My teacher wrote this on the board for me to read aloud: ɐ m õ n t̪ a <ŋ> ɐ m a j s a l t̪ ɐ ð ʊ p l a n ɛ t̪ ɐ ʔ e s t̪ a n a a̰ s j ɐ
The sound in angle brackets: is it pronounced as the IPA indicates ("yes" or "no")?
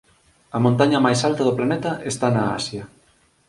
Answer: no